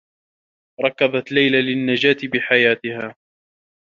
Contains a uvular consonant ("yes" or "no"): no